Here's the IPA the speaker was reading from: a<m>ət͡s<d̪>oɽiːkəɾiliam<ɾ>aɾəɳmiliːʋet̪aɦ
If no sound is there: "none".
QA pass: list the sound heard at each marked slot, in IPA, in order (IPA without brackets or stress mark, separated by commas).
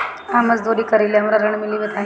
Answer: m, d̪, ɾ